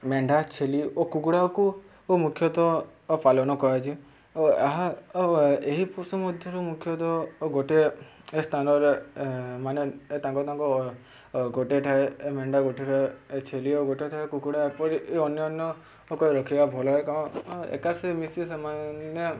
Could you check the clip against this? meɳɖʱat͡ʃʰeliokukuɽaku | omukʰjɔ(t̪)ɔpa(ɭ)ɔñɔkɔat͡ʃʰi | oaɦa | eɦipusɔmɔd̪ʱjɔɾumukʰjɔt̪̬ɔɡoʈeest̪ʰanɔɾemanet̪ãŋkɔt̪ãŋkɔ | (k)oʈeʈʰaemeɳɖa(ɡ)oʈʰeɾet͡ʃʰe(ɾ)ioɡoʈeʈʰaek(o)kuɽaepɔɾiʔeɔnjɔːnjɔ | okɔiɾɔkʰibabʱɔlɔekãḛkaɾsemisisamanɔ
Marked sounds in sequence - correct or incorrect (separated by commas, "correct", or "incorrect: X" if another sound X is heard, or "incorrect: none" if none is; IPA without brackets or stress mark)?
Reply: correct, incorrect: l, incorrect: ɡ, correct, incorrect: l, incorrect: u